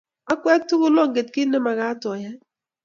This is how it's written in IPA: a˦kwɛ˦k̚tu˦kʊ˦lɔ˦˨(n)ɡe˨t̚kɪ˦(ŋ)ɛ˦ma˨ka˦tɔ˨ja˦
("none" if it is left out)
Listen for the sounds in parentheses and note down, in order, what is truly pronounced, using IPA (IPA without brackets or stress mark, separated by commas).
ŋ, n